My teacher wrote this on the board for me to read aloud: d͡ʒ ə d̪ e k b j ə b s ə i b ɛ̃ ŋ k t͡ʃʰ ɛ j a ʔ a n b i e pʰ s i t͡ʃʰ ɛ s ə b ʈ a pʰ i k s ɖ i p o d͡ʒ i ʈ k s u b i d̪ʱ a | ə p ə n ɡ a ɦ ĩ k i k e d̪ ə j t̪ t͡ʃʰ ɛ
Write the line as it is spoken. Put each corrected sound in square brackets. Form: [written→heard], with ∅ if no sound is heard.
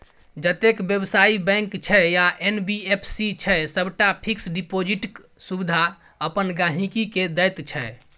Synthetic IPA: d͡ʒ ə [d̪→t̪] e k b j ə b s [ə→a] i b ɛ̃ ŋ k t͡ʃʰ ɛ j a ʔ [a→e] n b i e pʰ s i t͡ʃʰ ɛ s ə b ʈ a pʰ i k s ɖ i p o d͡ʒ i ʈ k s u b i d̪ʱ a | ə p ə n ɡ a ɦ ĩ k i k e d̪ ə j t̪ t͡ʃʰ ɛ